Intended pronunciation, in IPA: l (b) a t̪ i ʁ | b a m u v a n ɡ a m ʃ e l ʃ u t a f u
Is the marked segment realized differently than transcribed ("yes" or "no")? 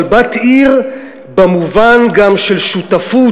no